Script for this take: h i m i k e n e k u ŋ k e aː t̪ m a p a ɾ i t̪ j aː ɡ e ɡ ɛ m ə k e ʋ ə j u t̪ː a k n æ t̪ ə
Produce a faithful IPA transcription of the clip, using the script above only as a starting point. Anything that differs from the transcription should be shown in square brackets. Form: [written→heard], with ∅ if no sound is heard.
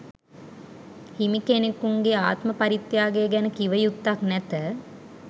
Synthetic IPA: h i m i k e n e k u ŋ [k→ɡ] e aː t̪ m [a→ə] p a ɾ i t̪ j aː ɡ e ɡ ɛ [m→n] ə k [e→i] ʋ ə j u t̪ː a k n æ t̪ ə